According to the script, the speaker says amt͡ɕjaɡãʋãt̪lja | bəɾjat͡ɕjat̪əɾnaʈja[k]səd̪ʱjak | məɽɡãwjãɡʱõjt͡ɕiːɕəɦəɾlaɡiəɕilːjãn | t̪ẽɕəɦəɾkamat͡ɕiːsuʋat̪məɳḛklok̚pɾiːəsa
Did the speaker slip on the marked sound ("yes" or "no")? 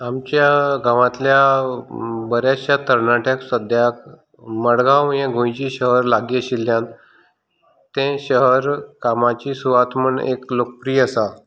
no